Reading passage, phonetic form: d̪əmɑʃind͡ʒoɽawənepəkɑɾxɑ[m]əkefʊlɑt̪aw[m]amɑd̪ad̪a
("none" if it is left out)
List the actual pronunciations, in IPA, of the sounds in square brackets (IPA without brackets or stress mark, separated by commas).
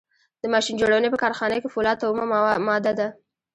n, m